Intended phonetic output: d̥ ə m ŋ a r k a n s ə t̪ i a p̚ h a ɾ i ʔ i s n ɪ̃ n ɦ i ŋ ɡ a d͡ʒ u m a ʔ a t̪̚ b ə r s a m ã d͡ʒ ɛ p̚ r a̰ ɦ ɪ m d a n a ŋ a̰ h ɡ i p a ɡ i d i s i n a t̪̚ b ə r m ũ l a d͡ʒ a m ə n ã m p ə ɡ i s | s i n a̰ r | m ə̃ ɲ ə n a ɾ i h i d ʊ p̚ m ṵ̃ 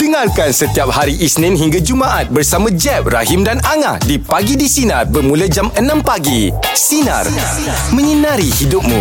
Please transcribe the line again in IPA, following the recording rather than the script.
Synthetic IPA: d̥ ə ŋ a r k a n s ə t̪ i a p̚ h a ɾ i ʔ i s n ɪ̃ n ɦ i ŋ ɡ a d͡ʒ u m a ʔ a t̪̚ b ə r s a m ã d͡ʒ ɛ p̚ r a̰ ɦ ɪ m d a n a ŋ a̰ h d i p a ɡ i d i s i n a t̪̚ b ə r m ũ l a d͡ʒ a m ə n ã m p a ɡ i | s i n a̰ r | m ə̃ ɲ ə n a ɾ i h i d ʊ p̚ m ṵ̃